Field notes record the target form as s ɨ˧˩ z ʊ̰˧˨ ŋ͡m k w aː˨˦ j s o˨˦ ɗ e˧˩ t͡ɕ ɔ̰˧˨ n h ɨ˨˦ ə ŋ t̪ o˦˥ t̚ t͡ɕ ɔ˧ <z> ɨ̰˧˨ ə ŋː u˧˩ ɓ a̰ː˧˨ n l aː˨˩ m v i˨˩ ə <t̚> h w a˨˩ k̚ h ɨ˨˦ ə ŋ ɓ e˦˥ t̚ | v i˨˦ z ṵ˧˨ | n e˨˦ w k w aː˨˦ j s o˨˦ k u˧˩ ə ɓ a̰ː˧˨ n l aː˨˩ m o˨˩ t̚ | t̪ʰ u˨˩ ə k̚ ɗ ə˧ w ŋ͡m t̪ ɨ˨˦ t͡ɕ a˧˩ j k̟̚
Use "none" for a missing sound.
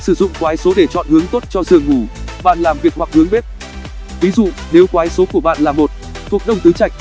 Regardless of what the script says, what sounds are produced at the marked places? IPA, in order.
z, k̚

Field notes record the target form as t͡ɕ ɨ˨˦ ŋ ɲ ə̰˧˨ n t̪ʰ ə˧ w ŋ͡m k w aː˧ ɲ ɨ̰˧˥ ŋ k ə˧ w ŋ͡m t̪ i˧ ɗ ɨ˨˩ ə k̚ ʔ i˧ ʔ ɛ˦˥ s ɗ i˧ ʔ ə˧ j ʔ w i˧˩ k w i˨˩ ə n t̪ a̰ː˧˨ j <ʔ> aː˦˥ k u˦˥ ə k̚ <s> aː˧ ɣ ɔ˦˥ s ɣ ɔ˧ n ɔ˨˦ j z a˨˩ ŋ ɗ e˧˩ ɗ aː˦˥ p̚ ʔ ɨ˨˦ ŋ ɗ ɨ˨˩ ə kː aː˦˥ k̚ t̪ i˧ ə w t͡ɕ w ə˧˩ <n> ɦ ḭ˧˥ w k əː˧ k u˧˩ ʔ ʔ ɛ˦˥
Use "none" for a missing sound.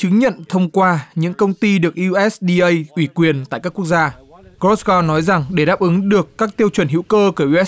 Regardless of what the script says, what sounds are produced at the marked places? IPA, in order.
k, z, n

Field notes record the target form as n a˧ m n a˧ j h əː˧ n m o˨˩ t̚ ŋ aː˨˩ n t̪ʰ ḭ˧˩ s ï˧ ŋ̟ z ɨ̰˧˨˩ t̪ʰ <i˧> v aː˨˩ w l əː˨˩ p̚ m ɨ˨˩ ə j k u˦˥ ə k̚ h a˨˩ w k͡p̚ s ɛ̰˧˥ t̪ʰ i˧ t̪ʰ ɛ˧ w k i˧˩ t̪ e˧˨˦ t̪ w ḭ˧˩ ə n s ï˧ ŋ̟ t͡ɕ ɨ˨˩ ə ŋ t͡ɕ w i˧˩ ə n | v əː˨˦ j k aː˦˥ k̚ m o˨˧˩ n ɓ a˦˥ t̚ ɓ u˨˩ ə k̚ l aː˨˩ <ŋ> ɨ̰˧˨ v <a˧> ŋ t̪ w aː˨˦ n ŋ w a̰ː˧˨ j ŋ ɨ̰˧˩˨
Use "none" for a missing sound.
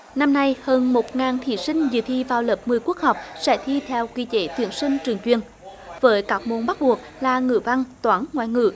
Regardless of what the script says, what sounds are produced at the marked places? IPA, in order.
i˧, ŋ, a˧

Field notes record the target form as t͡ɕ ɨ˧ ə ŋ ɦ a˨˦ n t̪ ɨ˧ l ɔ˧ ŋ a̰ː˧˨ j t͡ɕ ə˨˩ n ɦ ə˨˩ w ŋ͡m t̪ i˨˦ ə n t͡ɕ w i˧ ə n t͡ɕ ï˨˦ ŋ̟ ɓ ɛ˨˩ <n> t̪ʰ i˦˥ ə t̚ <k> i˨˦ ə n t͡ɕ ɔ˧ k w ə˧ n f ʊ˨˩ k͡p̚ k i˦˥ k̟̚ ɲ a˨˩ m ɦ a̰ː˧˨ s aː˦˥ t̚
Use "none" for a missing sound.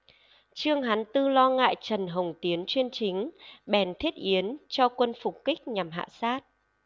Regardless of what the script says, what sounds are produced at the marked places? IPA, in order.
n, ʔ

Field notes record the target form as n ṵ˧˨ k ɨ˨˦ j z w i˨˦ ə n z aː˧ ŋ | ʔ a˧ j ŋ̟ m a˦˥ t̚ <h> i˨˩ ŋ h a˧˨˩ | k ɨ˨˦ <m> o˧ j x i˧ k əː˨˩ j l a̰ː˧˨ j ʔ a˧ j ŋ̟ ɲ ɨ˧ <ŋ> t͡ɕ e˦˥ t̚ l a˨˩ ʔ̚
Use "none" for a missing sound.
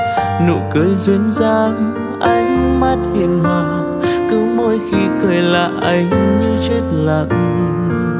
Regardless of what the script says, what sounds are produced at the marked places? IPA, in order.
h, m, none

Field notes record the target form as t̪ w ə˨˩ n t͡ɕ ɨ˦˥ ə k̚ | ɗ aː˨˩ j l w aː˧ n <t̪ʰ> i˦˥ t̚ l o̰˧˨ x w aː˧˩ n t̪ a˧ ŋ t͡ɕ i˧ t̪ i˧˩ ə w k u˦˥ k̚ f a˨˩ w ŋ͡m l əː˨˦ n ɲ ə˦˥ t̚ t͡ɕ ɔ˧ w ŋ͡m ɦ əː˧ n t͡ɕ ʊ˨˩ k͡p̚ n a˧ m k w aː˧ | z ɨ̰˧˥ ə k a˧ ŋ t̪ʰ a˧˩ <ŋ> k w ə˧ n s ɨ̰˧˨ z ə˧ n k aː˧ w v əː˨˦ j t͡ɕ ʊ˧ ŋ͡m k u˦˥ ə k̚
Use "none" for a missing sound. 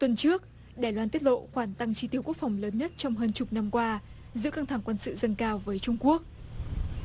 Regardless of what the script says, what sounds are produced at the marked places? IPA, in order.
t̪, ŋ

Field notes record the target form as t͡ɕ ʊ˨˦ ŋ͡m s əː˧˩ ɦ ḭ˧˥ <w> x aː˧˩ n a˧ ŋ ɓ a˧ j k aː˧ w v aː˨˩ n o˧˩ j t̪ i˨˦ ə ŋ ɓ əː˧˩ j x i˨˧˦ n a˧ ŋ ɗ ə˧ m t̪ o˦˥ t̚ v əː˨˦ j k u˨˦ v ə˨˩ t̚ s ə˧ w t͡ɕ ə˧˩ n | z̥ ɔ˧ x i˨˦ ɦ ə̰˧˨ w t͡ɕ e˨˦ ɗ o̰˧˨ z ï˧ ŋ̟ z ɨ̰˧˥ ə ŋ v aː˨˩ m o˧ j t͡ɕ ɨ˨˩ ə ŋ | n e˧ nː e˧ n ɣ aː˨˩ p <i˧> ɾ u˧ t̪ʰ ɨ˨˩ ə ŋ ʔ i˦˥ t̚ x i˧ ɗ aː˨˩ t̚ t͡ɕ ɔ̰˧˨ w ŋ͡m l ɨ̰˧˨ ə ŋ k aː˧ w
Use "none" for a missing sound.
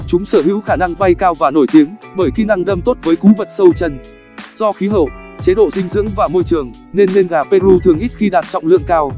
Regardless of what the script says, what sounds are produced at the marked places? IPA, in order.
w, e˧

